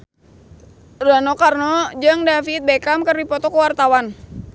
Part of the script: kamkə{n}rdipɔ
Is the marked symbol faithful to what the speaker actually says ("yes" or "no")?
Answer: no